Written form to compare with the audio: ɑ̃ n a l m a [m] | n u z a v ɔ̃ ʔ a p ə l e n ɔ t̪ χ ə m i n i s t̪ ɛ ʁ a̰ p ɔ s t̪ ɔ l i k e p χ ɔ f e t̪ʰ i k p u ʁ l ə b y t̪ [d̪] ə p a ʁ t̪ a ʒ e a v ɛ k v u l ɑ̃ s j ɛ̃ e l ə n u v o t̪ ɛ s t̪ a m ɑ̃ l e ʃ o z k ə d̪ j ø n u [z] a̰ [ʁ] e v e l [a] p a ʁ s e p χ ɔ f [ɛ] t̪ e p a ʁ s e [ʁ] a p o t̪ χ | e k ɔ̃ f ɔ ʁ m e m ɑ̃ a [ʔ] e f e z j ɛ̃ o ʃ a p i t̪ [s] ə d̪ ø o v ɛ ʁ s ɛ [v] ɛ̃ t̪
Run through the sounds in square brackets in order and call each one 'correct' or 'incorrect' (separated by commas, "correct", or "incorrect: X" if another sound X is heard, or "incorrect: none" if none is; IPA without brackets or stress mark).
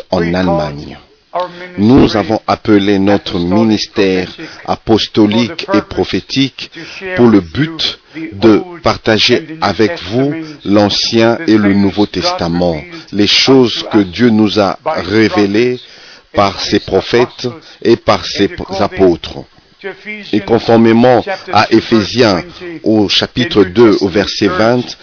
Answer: incorrect: ɲ, correct, correct, correct, incorrect: e, correct, incorrect: z, correct, incorrect: χ, correct